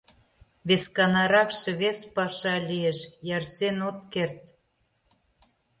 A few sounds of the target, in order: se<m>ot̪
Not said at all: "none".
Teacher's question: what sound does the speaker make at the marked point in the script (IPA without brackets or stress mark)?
n